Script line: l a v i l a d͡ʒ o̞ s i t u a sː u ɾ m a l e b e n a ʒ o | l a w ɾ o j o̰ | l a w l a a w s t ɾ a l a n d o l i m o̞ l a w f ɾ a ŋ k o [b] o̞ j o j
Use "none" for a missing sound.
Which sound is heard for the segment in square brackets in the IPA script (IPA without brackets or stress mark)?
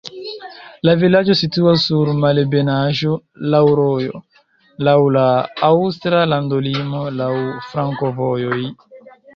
v